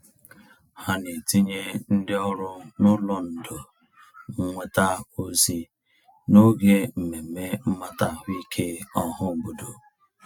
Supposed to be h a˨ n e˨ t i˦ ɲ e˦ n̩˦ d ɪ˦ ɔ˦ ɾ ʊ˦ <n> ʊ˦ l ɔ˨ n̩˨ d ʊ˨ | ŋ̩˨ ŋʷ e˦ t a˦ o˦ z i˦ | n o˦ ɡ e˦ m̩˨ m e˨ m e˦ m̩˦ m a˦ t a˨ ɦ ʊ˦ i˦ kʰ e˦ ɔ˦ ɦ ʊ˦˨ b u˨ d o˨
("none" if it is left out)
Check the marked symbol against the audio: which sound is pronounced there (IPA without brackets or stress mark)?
n